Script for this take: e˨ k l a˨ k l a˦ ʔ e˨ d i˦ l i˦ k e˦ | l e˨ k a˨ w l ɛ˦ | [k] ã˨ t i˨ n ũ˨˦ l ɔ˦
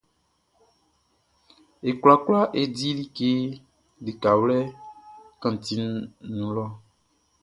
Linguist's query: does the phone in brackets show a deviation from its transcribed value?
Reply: no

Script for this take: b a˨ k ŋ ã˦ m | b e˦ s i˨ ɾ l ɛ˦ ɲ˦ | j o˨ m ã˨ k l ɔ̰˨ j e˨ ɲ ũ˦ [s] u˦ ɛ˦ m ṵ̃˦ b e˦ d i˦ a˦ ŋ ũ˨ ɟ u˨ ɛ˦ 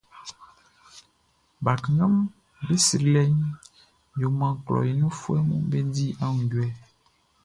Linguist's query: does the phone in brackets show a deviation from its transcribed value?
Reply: yes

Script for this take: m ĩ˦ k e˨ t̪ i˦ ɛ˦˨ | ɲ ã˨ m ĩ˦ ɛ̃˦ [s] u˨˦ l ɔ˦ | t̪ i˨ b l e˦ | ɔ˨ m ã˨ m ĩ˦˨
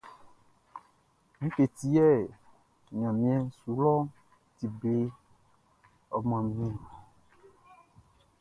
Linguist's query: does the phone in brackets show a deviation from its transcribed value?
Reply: no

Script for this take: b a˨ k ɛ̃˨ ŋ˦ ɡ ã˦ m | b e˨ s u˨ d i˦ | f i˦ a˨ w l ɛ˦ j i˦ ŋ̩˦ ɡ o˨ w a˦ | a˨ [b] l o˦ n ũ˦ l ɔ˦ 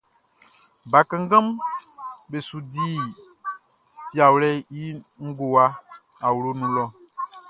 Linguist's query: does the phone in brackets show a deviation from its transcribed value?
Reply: yes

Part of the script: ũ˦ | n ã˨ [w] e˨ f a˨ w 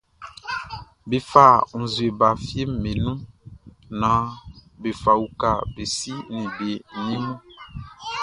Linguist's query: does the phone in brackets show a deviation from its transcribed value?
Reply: yes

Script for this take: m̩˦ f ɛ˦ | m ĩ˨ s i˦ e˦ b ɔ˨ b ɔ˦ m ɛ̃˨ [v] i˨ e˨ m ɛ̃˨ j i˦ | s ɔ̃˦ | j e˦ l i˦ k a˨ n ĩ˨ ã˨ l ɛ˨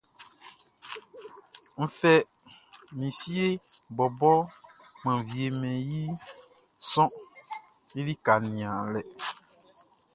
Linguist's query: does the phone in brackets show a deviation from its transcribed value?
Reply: no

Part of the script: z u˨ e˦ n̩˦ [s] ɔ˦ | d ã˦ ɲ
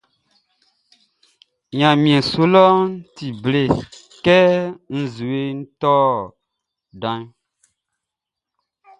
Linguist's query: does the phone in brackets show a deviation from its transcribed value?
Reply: yes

